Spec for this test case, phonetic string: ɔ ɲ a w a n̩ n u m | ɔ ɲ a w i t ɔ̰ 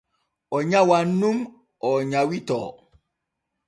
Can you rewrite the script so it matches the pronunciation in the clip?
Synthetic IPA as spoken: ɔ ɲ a w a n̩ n u m | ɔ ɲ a w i t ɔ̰